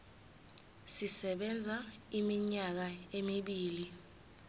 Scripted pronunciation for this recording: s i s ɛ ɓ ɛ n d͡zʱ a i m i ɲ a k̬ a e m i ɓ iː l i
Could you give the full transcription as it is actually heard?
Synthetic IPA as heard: s i s ɛ ɓ ɛ n d͡zʱ a i m i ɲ a k̬ a e m i ɓ iː l i